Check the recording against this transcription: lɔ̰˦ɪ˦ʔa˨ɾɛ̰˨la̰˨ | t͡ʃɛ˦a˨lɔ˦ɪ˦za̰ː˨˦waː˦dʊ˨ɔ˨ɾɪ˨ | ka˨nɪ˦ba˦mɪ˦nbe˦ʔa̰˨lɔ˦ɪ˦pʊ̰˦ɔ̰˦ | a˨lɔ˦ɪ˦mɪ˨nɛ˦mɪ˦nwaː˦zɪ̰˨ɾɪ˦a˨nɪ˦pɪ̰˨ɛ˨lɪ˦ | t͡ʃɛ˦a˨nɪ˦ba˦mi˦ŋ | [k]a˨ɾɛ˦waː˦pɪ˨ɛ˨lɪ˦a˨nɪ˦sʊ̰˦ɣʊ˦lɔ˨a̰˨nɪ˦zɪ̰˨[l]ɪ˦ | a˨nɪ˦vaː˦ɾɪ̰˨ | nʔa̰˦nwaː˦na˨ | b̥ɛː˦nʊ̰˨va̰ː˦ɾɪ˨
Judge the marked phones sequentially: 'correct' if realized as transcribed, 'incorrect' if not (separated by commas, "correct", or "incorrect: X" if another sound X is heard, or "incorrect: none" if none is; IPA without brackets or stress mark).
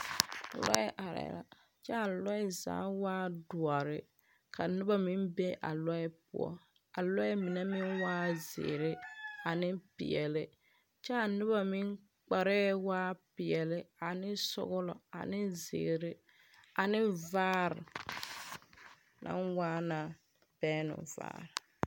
incorrect: k͡p, incorrect: ɾ